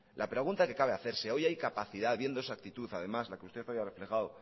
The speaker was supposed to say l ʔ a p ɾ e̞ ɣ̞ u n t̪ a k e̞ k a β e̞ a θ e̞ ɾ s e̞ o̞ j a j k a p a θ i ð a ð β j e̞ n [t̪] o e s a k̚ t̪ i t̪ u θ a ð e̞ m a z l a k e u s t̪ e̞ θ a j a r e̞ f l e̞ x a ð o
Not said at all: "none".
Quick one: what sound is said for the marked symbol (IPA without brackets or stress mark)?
d̪